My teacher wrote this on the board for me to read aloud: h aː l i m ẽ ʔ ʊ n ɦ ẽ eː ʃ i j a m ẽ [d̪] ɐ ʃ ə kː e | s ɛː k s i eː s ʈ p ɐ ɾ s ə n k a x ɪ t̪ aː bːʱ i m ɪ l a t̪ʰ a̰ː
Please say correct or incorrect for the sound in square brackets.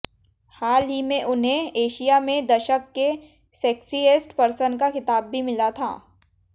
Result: correct